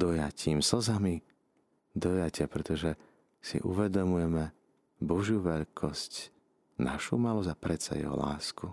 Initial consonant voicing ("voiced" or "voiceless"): voiced